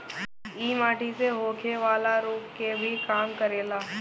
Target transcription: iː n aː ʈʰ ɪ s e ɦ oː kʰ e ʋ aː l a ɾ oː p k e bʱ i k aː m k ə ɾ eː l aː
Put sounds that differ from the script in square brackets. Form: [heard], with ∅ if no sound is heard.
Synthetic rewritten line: iː [m] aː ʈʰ [i] s e ɦ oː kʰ e ʋ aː l a ɾ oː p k e bʱ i k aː m k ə ɾ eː l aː

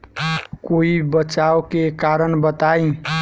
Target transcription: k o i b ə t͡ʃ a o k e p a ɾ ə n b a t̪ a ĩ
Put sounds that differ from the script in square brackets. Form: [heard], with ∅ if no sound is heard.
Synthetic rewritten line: k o i b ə t͡ʃ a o k e [k] a ɾ ə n b [ə] t̪ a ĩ

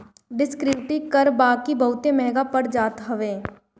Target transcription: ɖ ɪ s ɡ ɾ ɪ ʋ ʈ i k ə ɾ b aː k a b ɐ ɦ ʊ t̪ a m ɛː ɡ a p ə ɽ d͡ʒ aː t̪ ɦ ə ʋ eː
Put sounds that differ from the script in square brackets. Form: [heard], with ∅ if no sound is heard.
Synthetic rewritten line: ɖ ɪ s [k] ɾ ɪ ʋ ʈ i k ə ɾ b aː k [i] b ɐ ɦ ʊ t̪ [e] m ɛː ɡ a p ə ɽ d͡ʒ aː t̪ ɦ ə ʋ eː

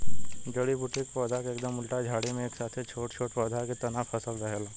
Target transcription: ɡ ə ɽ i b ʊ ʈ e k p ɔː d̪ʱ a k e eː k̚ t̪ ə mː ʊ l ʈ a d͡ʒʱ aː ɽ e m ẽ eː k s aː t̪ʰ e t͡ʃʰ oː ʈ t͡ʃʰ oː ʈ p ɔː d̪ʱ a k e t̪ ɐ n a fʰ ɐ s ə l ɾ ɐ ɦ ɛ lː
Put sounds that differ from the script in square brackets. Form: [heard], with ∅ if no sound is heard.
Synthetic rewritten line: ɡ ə ɽ i b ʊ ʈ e k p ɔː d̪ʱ a k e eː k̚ [d̪] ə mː ʊ l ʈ a d͡ʒʱ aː ɽ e m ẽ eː k s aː t̪ʰ e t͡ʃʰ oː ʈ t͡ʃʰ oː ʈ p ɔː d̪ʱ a k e t̪ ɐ n a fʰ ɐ s ə l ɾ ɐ ɦ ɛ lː

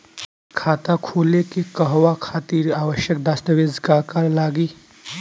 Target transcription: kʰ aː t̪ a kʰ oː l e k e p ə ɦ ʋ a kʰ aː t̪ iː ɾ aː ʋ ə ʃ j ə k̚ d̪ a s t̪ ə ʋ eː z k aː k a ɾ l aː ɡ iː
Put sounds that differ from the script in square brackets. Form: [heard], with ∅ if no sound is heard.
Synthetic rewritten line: kʰ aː t̪ a kʰ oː l e k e [k] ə ɦ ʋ a kʰ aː t̪ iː ɾ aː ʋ ə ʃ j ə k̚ d̪ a s t̪ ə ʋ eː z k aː k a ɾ l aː ɡ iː

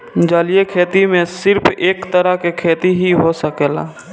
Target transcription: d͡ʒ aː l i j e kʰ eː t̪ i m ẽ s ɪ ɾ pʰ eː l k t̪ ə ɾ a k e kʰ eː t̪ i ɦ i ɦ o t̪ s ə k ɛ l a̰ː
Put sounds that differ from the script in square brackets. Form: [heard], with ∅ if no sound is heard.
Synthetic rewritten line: d͡ʒ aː l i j e kʰ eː t̪ i m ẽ s ɪ ɾ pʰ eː [∅] k t̪ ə ɾ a k e kʰ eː t̪ i ɦ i ɦ o [∅] s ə k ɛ l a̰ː

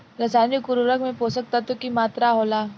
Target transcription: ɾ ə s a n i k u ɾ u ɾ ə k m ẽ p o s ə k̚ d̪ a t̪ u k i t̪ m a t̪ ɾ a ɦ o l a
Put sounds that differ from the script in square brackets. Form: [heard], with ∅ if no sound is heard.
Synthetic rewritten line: ɾ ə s a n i k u ɾ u ɾ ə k m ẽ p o s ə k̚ [t̪] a t̪ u k i [∅] m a t̪ ɾ a ɦ o l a

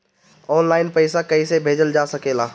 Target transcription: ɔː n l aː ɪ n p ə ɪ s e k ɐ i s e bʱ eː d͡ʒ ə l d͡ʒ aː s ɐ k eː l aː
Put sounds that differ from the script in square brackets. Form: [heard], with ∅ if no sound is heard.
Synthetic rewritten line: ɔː n l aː ɪ n p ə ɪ s [a] k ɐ i s e bʱ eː d͡ʒ ə l d͡ʒ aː s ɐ k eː l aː

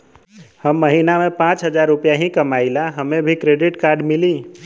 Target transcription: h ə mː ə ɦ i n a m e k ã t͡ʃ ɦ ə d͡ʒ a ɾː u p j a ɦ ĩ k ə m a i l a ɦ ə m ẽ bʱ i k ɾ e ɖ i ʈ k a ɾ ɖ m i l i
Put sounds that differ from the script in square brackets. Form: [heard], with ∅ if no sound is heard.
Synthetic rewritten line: h ə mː ə ɦ i n a m e [p] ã t͡ʃ ɦ ə d͡ʒ a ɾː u p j a ɦ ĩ k ə m a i l a ɦ ə m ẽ bʱ i k ɾ e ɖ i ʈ k a ɾ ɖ m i l i

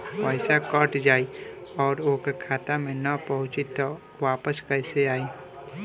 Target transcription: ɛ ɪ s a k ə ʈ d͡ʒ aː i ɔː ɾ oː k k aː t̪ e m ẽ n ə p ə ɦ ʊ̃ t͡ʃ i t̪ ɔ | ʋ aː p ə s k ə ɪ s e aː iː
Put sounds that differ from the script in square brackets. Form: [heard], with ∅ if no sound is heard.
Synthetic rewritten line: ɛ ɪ s a k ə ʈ d͡ʒ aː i ɔː ɾ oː k [kʰ] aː t̪ [a] m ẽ n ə p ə ɦ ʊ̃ t͡ʃ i t̪ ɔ | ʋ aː p ə s k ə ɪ s e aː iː

